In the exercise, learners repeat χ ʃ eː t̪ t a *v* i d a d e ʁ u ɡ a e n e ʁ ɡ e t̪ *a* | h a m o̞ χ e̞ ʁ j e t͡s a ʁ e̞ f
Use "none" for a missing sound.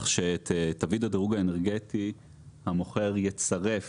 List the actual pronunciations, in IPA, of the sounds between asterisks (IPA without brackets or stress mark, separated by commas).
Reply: v, i